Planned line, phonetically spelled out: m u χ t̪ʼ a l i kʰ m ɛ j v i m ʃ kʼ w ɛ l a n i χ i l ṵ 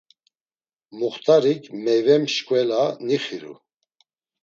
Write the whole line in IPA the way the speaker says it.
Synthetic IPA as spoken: m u χ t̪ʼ a ɾ i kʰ m ɛ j v ɛ m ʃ kʼ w ɛ l a n i χ i ɾ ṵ